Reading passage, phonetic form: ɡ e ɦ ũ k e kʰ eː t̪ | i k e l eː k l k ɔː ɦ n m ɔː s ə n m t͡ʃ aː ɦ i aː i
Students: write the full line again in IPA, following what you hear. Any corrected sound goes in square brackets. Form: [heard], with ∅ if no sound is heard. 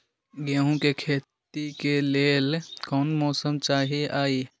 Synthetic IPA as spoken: ɡ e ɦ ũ k e kʰ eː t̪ | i k e l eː [∅] l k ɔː [∅] n m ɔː s ə [∅] m t͡ʃ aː ɦ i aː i

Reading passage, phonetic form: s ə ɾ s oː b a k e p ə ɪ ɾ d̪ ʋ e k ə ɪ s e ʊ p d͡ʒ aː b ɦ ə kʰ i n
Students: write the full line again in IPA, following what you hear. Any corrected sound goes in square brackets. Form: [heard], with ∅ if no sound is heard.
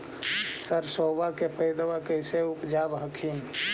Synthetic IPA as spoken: s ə ɾ s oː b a k e p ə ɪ [∅] d̪ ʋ [a] k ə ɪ s e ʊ p d͡ʒ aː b ɦ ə kʰ i [m]

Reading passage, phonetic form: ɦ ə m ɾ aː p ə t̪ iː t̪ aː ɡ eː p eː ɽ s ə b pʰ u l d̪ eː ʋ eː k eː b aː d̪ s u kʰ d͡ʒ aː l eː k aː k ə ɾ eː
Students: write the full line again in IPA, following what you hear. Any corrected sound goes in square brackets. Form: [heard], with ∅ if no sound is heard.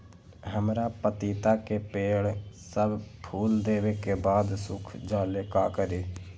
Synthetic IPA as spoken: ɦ ə m ɾ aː p ə t̪ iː t̪ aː [k] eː p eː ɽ s ə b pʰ [uː] l d̪ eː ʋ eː k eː b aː d̪ s [ʊ] kʰ d͡ʒ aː l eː k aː k ə ɾ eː

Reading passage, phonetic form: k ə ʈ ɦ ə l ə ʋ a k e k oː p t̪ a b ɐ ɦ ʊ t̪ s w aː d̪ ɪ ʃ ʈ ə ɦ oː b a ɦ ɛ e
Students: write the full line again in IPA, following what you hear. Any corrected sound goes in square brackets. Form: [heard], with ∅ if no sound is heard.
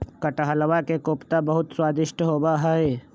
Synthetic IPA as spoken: k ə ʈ ɦ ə l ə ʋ a k e k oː p t̪ a b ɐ ɦ ʊ t̪ s w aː d̪ ɪ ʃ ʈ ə ɦ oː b a ɦ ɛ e

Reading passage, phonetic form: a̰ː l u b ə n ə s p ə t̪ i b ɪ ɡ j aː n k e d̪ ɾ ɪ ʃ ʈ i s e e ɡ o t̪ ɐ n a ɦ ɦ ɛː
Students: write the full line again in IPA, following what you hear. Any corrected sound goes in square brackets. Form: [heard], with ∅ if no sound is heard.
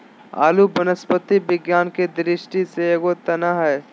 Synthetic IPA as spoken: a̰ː l u b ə n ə s p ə t̪ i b ɪ ɡ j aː n k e d̪ ɾ ɪ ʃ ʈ i s e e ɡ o t̪ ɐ n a ɦ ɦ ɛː

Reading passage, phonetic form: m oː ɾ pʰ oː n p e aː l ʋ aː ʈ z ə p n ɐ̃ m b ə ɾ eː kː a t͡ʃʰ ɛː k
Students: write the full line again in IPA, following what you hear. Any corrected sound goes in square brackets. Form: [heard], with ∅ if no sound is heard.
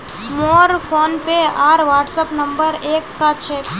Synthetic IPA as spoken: m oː ɾ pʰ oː n p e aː [ɾ] ʋ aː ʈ [s] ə p n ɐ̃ m b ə ɾ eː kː a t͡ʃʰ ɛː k

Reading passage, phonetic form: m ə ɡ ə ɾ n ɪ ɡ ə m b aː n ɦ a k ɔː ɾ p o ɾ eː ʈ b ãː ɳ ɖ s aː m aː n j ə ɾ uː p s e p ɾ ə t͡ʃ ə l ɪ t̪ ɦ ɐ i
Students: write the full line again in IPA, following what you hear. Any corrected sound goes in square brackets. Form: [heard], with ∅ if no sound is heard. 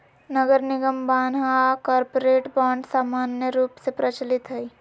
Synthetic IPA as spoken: [n] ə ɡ ə ɾ n ɪ ɡ ə m b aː n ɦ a k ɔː ɾ p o ɾ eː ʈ b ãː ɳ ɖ s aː m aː n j ə ɾ uː p s e p ɾ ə t͡ʃ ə l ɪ t̪ ɦ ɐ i

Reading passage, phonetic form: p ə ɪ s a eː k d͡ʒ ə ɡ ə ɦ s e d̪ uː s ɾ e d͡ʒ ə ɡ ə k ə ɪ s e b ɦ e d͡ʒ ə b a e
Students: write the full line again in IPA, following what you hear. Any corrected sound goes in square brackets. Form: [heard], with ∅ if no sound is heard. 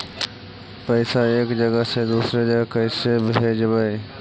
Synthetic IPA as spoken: p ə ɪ s a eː k d͡ʒ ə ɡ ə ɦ s e d̪ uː s ɾ e d͡ʒ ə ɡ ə k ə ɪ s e b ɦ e d͡ʒ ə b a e

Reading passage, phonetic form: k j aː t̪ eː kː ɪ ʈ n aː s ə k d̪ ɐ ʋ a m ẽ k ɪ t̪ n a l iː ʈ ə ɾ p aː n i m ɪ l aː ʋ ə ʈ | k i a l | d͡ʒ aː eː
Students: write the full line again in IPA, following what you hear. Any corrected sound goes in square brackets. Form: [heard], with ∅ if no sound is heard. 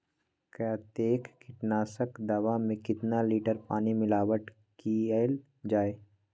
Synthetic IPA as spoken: k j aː t̪ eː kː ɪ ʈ n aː s ə k d̪ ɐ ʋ a m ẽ k ɪ t̪ n a l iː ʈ ə ɾ p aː n i m ɪ l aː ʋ ə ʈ | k i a l | d͡ʒ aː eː

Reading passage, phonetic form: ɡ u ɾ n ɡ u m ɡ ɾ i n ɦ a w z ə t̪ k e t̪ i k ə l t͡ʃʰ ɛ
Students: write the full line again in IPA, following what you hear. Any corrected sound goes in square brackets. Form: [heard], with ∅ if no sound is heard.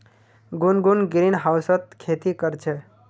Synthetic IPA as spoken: ɡ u [∅] n ɡ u [n] ɡ ɾ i n ɦ a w [s] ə t̪ [kʰ] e t̪ i k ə [ɾ] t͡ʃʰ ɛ

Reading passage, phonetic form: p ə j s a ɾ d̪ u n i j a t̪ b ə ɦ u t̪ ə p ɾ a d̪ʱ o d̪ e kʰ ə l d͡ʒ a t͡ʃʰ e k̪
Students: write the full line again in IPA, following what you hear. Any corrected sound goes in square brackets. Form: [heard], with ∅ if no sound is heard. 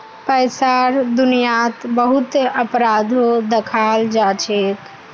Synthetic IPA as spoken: p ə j s a ɾ d̪ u n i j a t̪ b ə ɦ u t̪ ə p ɾ a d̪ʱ o d̪ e kʰ [a] l d͡ʒ a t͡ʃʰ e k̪

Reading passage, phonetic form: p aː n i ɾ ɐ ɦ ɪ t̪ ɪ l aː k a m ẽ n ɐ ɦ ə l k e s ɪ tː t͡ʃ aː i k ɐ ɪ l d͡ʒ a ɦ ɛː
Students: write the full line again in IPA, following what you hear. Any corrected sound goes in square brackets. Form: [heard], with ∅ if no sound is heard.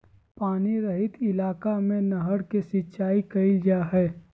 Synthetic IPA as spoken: p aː n i ɾ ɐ ɦ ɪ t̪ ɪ l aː k a m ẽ n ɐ ɦ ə [ɽ] k e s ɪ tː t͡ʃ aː i k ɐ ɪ l d͡ʒ a ɦ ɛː

